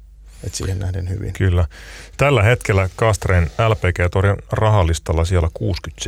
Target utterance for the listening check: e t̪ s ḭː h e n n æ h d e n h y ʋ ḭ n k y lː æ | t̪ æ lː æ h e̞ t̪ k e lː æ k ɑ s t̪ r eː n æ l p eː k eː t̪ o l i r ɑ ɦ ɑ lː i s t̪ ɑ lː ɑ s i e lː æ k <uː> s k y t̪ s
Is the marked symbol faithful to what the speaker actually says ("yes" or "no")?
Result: yes